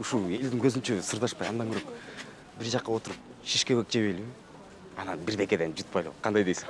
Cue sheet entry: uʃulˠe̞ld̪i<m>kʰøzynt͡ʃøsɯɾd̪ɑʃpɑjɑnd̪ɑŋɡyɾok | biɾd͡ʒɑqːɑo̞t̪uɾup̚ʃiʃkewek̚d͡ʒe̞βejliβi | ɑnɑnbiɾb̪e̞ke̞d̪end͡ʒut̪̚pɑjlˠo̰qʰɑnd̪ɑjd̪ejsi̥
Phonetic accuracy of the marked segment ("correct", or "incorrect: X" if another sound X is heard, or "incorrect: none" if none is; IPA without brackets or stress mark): incorrect: ŋ